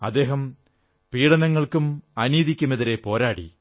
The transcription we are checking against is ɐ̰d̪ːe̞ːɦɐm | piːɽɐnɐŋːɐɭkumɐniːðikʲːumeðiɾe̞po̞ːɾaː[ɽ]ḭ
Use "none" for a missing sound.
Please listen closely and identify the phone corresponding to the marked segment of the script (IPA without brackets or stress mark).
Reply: ɽ